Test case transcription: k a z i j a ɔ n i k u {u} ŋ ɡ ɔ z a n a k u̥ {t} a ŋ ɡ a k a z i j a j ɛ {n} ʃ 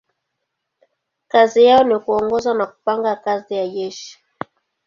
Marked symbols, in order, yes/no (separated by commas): no, no, no